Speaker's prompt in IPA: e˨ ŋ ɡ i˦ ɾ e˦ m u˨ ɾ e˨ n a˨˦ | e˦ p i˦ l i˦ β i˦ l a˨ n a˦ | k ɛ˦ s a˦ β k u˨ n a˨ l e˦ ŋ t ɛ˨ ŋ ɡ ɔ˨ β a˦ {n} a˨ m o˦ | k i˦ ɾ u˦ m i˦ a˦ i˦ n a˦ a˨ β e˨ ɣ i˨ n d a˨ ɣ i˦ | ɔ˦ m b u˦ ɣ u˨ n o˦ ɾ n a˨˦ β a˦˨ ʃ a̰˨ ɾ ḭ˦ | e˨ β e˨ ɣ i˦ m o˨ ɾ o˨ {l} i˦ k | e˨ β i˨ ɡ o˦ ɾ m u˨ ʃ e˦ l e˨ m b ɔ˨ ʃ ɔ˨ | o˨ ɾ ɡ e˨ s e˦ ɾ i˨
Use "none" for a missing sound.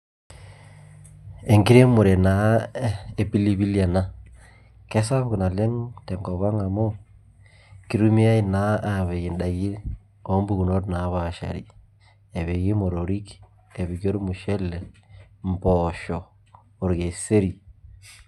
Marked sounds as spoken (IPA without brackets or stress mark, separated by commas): ŋ, ɾ